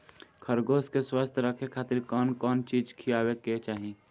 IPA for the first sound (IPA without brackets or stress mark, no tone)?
kʰ